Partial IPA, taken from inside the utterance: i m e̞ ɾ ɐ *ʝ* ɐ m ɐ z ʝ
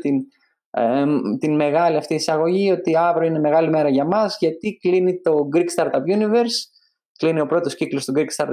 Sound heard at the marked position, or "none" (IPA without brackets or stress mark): ʝ